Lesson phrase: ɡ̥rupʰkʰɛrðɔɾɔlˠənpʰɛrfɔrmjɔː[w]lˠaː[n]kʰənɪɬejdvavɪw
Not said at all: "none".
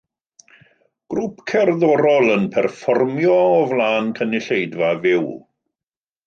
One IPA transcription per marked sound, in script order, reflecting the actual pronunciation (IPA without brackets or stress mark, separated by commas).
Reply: v, n